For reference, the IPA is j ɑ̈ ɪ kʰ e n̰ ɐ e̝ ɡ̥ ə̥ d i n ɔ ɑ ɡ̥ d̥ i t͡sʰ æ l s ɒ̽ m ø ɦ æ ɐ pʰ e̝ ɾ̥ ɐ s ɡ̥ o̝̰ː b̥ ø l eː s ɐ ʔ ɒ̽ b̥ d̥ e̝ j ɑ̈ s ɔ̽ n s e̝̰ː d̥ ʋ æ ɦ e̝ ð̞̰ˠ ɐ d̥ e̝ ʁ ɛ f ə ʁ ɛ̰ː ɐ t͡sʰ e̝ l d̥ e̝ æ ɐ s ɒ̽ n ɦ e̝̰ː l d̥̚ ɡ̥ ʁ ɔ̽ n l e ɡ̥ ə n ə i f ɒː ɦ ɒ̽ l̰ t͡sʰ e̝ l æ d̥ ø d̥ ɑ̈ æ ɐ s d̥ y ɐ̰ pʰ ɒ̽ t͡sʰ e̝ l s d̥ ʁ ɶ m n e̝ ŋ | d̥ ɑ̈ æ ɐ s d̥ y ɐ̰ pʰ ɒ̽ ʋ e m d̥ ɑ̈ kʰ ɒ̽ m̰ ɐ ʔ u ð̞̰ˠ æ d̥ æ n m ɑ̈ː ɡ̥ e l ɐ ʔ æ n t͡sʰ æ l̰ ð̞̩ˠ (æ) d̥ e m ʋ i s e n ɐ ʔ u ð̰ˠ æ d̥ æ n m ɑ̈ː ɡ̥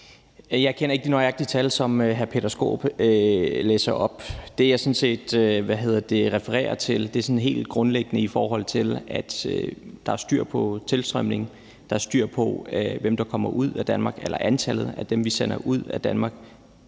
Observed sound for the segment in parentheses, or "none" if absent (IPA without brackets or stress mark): æ